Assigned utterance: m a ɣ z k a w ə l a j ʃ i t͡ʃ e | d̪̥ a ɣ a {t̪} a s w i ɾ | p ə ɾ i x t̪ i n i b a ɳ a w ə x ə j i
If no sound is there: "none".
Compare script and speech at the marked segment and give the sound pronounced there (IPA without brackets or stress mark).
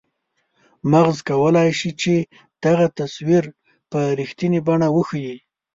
t̪